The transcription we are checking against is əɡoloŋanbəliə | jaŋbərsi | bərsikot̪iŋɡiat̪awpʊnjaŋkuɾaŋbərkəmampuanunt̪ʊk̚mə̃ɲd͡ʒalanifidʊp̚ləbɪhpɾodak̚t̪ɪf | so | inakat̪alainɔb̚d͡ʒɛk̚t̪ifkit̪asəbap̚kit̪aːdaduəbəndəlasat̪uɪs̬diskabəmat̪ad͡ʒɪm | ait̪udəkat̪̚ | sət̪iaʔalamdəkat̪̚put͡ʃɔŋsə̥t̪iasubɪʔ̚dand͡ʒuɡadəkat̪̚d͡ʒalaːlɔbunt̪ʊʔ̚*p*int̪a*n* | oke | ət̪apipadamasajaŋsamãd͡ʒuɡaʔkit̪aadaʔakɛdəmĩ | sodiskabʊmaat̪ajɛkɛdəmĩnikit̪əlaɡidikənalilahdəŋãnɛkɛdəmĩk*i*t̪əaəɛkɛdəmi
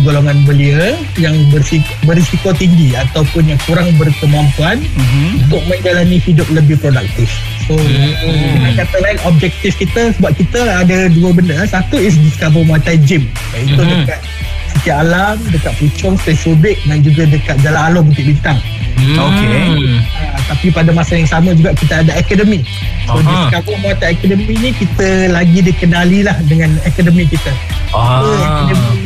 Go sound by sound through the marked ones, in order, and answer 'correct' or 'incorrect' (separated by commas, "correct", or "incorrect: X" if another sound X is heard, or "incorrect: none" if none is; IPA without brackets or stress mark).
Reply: incorrect: b, incorrect: ŋ, correct